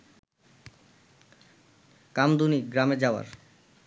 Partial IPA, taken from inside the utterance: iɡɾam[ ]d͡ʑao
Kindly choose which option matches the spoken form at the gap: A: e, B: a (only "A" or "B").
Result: A